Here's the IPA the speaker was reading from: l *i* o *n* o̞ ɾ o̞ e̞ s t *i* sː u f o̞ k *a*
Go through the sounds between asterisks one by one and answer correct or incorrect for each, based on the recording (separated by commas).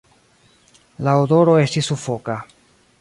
incorrect, incorrect, correct, correct